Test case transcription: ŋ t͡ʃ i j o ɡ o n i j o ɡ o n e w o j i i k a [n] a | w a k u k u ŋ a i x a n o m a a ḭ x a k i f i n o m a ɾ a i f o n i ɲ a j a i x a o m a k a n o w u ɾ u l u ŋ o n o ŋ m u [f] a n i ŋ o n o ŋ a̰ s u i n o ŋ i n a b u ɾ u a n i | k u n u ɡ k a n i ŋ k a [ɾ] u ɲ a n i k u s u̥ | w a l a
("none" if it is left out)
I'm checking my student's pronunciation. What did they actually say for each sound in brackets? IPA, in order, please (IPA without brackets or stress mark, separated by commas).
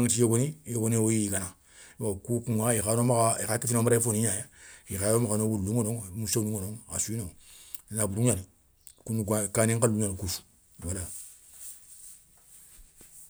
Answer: n, s, l